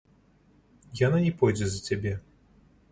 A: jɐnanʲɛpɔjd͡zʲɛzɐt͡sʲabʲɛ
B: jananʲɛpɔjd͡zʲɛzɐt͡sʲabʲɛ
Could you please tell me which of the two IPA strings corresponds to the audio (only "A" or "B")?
B